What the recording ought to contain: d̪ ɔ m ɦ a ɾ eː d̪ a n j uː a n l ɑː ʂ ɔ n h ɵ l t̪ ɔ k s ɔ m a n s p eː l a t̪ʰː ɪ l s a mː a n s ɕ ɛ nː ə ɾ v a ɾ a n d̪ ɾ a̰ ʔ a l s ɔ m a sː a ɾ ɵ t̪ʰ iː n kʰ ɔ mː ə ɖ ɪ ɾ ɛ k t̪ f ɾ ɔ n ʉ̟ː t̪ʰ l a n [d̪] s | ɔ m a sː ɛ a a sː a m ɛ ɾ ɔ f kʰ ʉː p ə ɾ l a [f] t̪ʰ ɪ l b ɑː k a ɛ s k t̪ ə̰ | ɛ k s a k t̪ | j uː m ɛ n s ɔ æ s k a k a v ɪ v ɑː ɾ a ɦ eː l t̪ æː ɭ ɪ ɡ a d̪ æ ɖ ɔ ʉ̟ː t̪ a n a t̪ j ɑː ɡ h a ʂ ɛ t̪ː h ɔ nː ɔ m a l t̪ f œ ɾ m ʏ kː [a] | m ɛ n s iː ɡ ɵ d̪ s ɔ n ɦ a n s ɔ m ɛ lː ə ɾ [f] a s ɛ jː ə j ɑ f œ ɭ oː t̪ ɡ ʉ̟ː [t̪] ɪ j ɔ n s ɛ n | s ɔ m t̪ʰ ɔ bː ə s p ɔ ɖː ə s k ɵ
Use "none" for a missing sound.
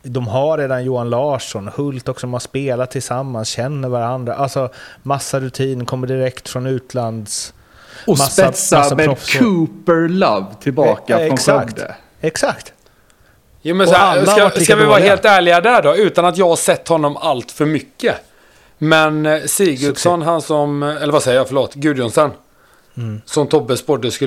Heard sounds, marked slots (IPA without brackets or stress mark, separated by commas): d̪, v, ə, v, d̪